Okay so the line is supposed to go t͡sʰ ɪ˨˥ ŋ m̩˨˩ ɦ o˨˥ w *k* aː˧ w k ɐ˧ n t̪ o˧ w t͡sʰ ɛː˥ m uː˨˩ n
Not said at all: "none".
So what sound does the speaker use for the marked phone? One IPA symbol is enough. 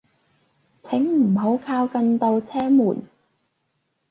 kʰ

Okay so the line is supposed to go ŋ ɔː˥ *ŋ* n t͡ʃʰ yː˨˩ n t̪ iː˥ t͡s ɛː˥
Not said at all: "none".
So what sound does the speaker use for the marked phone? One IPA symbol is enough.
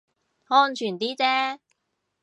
none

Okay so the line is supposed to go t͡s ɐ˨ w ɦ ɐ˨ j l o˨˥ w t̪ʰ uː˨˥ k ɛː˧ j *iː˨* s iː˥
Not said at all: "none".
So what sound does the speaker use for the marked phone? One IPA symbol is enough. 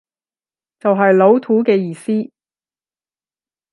iː˨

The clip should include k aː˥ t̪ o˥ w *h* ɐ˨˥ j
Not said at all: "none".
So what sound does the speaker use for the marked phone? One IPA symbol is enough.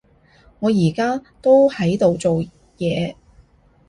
h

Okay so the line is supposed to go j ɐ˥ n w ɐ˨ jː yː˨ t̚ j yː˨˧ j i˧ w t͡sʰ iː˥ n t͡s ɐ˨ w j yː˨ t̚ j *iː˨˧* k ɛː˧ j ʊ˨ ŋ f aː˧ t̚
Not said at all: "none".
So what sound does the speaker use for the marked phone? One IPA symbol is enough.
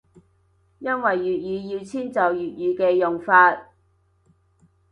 yː˨˧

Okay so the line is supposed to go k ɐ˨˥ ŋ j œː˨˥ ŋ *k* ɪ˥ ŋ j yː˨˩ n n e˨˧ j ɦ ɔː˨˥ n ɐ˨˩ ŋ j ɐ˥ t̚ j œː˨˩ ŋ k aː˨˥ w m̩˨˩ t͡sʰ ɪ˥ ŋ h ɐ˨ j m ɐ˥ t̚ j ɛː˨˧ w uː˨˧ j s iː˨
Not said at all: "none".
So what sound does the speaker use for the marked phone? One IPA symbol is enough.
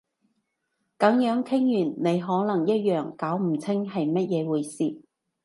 kʰ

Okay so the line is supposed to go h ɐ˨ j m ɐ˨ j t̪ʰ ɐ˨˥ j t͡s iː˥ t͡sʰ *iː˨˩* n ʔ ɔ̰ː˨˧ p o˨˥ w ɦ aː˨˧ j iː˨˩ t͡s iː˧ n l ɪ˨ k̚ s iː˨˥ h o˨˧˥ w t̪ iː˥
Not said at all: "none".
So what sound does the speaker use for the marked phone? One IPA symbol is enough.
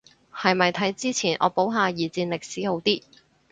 iː˨˩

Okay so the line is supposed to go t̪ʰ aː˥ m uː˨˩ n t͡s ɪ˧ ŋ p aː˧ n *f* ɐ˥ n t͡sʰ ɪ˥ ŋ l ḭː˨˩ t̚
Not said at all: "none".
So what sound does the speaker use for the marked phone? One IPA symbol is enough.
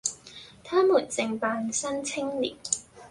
s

